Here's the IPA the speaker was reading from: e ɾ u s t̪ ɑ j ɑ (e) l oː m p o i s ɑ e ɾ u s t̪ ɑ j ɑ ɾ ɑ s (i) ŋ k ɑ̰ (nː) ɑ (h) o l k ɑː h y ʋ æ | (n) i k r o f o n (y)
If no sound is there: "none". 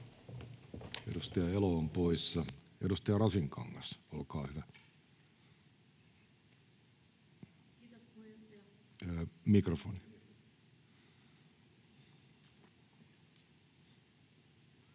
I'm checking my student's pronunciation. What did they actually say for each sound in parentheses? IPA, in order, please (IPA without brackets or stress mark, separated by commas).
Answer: e, i, ŋː, s, m, i